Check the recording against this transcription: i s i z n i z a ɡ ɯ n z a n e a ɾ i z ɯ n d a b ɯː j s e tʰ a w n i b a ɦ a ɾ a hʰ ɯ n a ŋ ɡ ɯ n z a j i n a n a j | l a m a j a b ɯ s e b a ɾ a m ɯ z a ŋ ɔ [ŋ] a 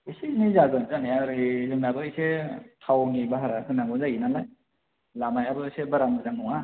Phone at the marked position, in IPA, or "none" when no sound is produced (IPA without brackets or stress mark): ŋ